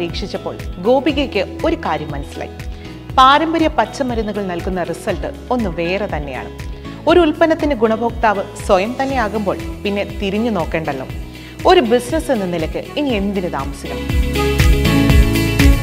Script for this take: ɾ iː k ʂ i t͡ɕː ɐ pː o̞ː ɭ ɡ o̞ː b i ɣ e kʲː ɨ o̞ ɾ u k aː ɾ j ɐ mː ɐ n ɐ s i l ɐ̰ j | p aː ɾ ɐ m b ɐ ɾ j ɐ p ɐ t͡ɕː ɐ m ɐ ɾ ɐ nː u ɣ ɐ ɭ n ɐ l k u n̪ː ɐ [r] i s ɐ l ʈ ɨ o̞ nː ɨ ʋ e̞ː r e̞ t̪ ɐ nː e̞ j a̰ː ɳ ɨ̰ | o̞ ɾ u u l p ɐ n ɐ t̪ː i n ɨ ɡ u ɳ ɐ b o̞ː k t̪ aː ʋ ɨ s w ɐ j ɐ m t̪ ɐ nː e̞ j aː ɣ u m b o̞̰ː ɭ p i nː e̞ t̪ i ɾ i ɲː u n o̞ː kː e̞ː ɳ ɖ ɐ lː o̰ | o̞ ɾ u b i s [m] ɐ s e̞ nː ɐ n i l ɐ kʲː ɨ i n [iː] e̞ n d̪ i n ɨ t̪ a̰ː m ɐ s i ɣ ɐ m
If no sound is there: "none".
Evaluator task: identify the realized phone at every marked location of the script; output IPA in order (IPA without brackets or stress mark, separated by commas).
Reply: r, n, i